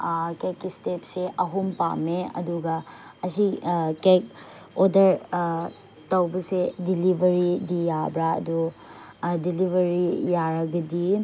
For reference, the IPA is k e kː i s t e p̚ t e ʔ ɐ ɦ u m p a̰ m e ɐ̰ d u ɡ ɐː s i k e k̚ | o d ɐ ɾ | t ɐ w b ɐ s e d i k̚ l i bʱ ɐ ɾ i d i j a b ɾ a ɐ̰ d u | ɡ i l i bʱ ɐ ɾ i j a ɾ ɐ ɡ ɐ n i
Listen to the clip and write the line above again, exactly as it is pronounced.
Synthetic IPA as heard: k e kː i s t e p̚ s e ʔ ɐ ɦ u m p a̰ m e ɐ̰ d u ɡ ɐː s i k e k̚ | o d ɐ ɾ | t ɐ w b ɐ s e d i l i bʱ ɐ ɾ i d i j a b ɾ a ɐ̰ d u | d i l i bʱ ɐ ɾ i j a ɾ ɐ ɡ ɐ d i